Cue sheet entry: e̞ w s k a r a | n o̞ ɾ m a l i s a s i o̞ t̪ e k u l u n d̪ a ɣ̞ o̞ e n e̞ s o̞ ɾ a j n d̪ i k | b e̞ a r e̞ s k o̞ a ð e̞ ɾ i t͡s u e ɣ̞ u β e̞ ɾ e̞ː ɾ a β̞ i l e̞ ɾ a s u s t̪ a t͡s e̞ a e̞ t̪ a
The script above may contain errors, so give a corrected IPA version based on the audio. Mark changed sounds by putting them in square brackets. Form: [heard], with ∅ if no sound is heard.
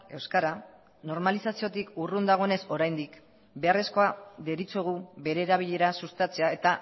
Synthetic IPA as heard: e̞ w s k a [ɾ] a | n o̞ ɾ m a l i s a s i o̞ t̪ [i] k u [r] u n d̪ a ɣ̞ o̞ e n e̞ s o̞ ɾ a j n d̪ i k | b e̞ a r e̞ s k o̞ a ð e̞ ɾ i t͡s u e ɣ̞ u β e̞ ɾ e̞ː ɾ a β̞ i [ʎ] e̞ ɾ a s u s t̪ a t͡s e̞ a e̞ t̪ a